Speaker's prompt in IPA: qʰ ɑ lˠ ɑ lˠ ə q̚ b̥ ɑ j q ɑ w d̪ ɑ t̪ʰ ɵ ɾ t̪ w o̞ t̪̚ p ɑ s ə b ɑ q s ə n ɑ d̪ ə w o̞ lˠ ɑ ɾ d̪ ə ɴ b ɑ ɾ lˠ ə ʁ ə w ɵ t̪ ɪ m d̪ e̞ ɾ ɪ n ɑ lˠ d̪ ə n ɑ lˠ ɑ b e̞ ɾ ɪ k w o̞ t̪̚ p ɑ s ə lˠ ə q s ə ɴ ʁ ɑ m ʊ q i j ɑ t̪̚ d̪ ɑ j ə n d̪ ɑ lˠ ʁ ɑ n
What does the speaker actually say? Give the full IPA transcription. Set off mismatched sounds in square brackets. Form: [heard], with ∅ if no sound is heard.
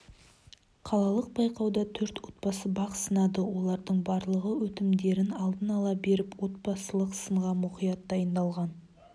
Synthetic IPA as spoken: qʰ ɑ lˠ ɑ lˠ ə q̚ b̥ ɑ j q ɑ w d̪ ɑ t̪ʰ ɵ ɾ t̪ w o̞ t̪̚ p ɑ s ə b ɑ q s ə n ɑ d̪ ə w o̞ lˠ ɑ ɾ d̪ ə ɴ b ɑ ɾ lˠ ə ʁ ə w ɵ t̪ ɪ m d̪ e̞ ɾ ɪ n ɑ lˠ d̪ ə n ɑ lˠ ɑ b e̞ ɾ ɪ [p] w o̞ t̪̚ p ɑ s ə lˠ ə q s ə ɴ ʁ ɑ m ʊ q i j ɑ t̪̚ d̪ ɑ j ə n d̪ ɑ lˠ ʁ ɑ n

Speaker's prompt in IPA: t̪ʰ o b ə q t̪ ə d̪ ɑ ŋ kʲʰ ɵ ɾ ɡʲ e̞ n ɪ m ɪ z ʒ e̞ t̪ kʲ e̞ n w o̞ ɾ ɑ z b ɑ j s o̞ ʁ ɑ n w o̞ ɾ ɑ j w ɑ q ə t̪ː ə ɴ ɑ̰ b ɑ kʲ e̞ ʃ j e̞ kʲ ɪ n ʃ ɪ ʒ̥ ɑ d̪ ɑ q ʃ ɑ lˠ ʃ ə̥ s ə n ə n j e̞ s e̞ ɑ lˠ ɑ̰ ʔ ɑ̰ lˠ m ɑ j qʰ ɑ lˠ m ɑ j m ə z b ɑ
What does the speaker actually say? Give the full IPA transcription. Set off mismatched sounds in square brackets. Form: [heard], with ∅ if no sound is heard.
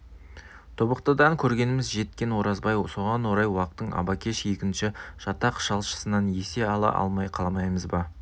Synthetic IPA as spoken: t̪ʰ o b ə q t̪ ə d̪ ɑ ŋ kʲʰ ɵ ɾ ɡʲ e̞ n ɪ m ɪ z ʒ e̞ t̪ kʲ e̞ n w o̞ ɾ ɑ z b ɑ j s o̞ ʁ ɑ n w o̞ ɾ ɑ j w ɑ q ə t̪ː ə ɴ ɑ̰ b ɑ kʲ e̞ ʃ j e̞ kʲ ɪ n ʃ ɪ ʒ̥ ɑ [t̪] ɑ q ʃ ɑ lˠ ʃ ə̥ s ə n [ɑ] n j e̞ s e̞ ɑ lˠ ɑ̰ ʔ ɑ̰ lˠ m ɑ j qʰ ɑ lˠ m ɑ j m ə z b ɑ

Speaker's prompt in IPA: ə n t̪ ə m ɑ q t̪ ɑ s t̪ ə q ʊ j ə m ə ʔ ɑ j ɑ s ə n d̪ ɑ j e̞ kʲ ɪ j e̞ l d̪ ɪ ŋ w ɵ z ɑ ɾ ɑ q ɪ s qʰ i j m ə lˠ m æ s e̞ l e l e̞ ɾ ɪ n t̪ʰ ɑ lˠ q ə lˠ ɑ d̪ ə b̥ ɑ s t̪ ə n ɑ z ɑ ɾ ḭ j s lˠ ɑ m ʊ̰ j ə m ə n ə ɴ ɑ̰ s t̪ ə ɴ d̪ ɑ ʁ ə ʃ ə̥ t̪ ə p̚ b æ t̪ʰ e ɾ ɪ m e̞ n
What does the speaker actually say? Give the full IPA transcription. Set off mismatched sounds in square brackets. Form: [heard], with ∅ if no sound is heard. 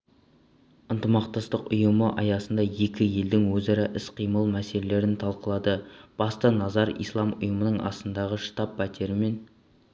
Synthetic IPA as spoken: ə n t̪ ə m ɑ q t̪ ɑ s t̪ ə q ʊ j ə m ə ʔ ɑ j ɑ s ə n d̪ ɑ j e̞ kʲ ɪ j e̞ l d̪ ɪ ŋ w ɵ z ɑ ɾ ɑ [ʔ] ɪ s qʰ i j m ə lˠ m æ s e̞ l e l e̞ ɾ ɪ n t̪ʰ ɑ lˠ q ə lˠ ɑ d̪ ə b̥ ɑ s t̪ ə n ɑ z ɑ ɾ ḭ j s lˠ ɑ m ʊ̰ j ə m ə n ə ɴ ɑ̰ s t̪ ə [n] d̪ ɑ ʁ ə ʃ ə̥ t̪ [ɑ] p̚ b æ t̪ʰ e ɾ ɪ m e̞ n

